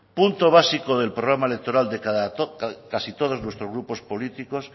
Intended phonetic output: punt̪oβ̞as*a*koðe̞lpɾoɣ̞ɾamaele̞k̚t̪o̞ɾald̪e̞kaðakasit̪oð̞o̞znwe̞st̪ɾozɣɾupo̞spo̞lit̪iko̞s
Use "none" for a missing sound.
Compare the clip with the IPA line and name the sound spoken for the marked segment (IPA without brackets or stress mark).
i